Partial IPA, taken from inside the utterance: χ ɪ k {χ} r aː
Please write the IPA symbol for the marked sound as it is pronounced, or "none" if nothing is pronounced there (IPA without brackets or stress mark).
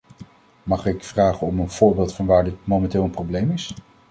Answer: f